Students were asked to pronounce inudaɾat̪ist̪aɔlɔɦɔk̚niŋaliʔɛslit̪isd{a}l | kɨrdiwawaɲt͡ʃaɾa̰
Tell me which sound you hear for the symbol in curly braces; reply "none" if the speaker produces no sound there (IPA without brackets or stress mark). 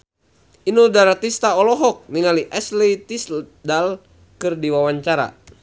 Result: a